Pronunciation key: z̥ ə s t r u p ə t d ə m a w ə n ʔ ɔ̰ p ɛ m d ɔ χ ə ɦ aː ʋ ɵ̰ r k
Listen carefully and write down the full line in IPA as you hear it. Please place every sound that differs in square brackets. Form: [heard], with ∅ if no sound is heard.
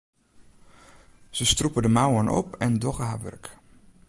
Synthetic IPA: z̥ ə s t r u p ə [∅] d ə m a w ə n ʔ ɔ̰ p ɛ [n] d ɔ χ ə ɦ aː ʋ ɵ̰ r k